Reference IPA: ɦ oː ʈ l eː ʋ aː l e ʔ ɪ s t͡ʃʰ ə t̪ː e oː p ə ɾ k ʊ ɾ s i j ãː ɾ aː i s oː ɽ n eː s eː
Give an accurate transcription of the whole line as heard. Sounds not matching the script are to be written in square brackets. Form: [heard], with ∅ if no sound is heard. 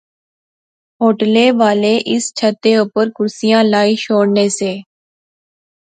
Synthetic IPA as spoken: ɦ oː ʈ l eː ʋ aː l e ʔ ɪ s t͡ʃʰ ə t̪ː e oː p ə ɾ k ʊ ɾ s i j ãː [l] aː i [ʃ] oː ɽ n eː s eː